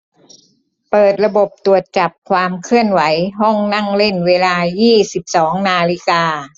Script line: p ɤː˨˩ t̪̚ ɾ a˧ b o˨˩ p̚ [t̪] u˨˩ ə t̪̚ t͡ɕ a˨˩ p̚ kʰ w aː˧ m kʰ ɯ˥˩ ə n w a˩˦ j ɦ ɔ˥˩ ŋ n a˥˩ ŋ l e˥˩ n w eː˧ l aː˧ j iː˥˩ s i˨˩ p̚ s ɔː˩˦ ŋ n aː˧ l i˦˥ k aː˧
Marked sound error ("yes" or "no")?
no